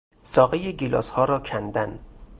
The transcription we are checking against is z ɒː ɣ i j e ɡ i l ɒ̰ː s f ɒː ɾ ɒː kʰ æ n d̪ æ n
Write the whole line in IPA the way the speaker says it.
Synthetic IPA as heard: s ɒː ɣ e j e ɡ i l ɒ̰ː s h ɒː ɾ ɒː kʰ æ n d̪ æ n